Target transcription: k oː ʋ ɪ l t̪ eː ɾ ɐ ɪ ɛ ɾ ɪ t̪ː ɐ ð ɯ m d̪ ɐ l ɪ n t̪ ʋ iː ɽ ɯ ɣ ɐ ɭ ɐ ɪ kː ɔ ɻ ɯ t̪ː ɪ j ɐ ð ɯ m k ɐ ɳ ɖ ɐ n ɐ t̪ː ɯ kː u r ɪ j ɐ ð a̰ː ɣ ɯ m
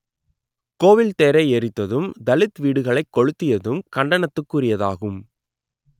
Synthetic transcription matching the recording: k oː ʋ ɪ l t̪ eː ɾ ɐ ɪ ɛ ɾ ɪ t̪ː ɐ ð ɯ m d̪ ɐ l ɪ t̪ ʋ iː ɽ ɯ ɣ ɐ ɭ ɐ ɪ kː ɔ ɻ ɯ t̪ː ɪ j ɐ ð ɯ m k ɐ ɳ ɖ ɐ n ɐ t̪ː ɯ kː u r ɪ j ɐ ð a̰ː ɣ ɯ m